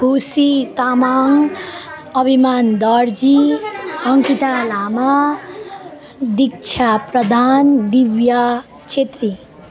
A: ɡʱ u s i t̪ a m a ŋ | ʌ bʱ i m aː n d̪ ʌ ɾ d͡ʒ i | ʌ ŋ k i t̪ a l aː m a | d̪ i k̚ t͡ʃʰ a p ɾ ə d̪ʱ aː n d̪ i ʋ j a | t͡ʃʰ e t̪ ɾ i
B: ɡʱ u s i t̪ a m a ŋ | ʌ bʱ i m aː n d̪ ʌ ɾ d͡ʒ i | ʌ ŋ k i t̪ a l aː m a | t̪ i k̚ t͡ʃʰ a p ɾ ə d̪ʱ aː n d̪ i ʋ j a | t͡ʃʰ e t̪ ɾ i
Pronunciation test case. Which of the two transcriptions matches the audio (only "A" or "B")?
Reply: A